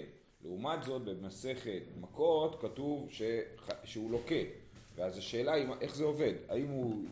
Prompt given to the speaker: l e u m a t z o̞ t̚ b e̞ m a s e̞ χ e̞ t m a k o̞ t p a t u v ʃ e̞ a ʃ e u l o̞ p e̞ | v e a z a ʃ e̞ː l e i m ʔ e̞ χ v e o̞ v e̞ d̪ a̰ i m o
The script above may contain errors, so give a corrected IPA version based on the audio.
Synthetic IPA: l e u m a t z o̞ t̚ b e̞ m a s e̞ χ e̞ t m a k o̞ t k a t u v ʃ e̞ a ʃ e u l o̞ k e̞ | v e a z a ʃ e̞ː l a i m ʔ e̞ χ z e o̞ v e̞ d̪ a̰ i m u